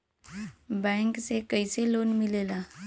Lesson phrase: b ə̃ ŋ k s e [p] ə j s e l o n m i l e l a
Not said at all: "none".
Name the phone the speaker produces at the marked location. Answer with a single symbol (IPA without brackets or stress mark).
k